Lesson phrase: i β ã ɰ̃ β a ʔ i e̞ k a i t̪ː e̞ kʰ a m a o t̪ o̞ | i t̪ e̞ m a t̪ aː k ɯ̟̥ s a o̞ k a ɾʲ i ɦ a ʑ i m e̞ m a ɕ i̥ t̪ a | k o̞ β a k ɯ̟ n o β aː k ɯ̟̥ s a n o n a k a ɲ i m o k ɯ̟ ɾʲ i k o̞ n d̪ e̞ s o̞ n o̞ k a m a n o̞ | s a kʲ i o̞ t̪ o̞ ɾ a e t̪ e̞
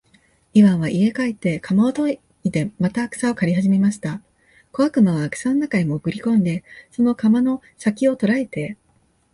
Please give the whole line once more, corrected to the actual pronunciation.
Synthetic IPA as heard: i β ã ɰ̃ β a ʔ i e̞ k a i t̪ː e̞ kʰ a m a o t̪ o̞ | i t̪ e̞ m a t̪ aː k ɯ̟̥ s a o̞ k a ɾʲ i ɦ a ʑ i m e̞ m a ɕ i̥ t̪ a | k o̞ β a k ɯ̟ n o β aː k ɯ̟̥ s a n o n a k a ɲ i m o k ɯ̟ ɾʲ i k õ̞ n d̪ e̞ s o̞ n o̞ k a m a n o̞ | s a kʲ i o̞ t̪ o̞ ɾ a e t̪ e̞

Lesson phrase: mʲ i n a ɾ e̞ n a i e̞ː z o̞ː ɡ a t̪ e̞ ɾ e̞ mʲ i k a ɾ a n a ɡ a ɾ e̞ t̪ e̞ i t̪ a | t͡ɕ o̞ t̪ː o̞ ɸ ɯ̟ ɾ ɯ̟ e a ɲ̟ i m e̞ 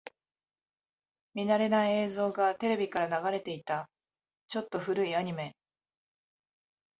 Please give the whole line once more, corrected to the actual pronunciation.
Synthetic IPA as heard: mʲ i n a ɾ e̞ n a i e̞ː z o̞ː ɡ a t̪ e̞ ɾ e̞ bʲ i k a ɾ a n a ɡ a ɾ e̞ t̪ e̞ i t̪ a | t͡ɕ o̞ t̪ː o̞ ɸ ɯ̟ ɾ ɯ̟ i a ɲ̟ i m e̞

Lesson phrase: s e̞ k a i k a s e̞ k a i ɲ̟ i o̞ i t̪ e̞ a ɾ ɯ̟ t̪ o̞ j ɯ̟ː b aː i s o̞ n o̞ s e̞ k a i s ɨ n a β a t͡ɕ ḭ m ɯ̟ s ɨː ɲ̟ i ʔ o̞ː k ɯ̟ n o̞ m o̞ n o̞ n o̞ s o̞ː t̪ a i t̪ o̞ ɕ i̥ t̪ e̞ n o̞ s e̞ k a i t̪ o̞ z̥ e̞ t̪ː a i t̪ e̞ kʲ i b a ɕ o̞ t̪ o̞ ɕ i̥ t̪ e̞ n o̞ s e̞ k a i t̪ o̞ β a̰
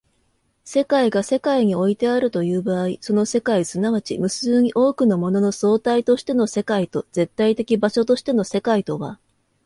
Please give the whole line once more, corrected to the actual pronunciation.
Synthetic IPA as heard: s e̞ k a i ɡ a s e̞ k a i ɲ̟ i o̞ i t̪ e̞ a ɾ ɯ̟ t̪ o̞ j ɯ̟ː b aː i s o̞ n o̞ s e̞ k a i s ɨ n a β a t͡ɕ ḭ m ɯ̟ s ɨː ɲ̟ i ʔ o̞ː k ɯ̟ n o̞ m o̞ n o̞ n o̞ s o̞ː t̪ a i t̪ o̞ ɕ i̥ t̪ e̞ n o̞ s e̞ k a i t̪ o̞ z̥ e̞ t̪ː a i t̪ e̞ kʲ i b a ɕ o̞ t̪ o̞ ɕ i̥ t̪ e̞ n o̞ s e̞ k a i t̪ o̞ β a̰

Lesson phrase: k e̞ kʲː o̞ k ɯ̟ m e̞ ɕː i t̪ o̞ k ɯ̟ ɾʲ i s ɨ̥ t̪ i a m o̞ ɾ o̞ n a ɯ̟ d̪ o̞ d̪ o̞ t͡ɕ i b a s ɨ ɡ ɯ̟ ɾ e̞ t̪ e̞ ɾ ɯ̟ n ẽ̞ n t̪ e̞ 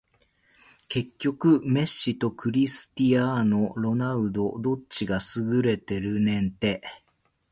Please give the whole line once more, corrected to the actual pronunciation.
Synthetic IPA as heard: k e̞ kʲː o̞ k ɯ̟ m e̞ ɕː i t̪ o̞ k ɯ̟ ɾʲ i s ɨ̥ t̪ i a n o̞ ɾ o̞ n a ɯ̟ d̪ o̞ d̪ o̞ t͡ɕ i ɡ a s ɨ ɡ ɯ̟ ɾ e̞ t̪ e̞ ɾ ɯ̟ n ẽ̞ n t̪ e̞

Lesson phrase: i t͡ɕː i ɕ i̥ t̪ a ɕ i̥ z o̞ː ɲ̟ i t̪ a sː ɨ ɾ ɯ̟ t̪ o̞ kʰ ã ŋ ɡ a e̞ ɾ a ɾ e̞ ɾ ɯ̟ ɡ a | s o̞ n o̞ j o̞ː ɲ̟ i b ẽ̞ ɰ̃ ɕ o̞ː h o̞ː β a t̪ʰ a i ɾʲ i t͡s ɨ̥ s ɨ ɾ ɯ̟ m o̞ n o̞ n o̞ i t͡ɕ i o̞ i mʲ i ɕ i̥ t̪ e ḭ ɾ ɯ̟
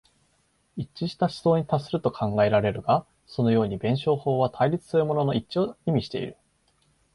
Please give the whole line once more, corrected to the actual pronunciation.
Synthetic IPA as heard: i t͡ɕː i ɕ i̥ t̪ a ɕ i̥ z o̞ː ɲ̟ i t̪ a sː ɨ ɾ ɯ̟ t̪ o̞ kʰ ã ŋ ɡ a e̞ ɾ a ɾ e̞ ɾ ɯ̟ ɡ a | s o̞ n o̞ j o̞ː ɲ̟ i b ẽ̞ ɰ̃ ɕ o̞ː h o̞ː β a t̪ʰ a i ɾʲ i t͡s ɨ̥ s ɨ ɾ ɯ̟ m o̞ n o̞ n o̞ i t͡ɕ i o̞ i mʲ i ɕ i̥ t̪ e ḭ ɾ ɯ̟

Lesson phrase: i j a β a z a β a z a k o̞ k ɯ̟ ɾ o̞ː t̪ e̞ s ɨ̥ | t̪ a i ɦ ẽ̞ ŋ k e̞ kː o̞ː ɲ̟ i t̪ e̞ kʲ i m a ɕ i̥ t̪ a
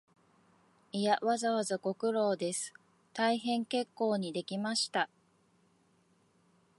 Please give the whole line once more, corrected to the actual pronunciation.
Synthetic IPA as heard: i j a β a z a β a z a k o̞ k ɯ̟ ɾ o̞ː d̪ e̞ s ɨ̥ | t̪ a i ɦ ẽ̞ ŋ k e̞ kː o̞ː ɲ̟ i d̪ e̞ kʲ i m a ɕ i̥ t̪ a

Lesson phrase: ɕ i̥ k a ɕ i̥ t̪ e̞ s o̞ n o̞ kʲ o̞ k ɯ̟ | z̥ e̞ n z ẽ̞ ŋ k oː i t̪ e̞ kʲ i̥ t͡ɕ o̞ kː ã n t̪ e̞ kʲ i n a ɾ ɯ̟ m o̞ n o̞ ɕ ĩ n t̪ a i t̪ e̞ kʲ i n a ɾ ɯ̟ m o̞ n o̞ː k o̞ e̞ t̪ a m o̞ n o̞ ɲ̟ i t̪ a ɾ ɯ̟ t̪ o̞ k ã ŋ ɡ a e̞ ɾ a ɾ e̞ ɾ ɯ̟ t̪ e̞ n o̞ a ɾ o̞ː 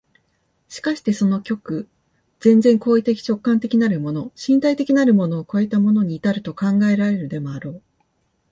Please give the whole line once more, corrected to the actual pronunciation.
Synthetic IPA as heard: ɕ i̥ k a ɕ i̥ t̪ e̞ s o̞ n o̞ kʲ o̞ k ɯ̟ | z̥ ẽ̞ n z ẽ̞ ŋ k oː i t̪ e̞ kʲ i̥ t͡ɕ o̞ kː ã n t̪ e̞ kʲ i n a ɾ ɯ̟ m o̞ n o̞ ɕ ĩ n t̪ a i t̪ e̞ kʲ i n a ɾ ɯ̟ m o̞ n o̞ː k o̞ e̞ t̪ a m o̞ n o̞ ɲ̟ iː t̪ a ɾ ɯ̟ t̪ o̞ k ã ŋ ɡ a e̞ ɾ a ɾ e̞ ɾ ɯ̟ d̪ e̞ m o̞ a ɾ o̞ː

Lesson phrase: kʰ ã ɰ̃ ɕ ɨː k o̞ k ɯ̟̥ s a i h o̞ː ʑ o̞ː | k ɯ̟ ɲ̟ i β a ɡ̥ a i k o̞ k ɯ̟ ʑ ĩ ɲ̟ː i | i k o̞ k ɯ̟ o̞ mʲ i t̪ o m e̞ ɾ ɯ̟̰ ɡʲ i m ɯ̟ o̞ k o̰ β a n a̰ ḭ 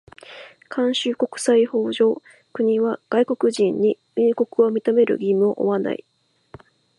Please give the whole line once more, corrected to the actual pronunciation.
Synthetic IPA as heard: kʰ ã ɰ̃ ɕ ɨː k o̞ k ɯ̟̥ s a i h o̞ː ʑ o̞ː | k ɯ̟ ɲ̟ i β a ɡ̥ a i k o̞ k ɯ̟ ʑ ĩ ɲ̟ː i | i k o̞ k ɯ̟ o̞ mʲ i t̪ o m e̞ ɾ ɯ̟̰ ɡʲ i m ɯ̟ o̞ ʔ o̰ β a n a̰ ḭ

